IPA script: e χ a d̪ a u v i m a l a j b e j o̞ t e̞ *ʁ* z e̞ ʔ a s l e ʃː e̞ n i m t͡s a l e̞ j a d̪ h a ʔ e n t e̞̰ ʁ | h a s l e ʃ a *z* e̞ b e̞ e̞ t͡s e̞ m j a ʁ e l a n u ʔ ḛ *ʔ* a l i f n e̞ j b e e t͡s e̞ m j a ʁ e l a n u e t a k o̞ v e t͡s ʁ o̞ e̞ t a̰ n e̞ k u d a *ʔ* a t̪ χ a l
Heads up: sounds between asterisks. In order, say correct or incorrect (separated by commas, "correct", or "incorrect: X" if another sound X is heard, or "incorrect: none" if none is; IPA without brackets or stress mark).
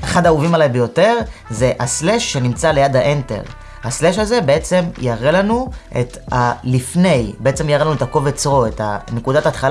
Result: correct, correct, incorrect: t, incorrect: t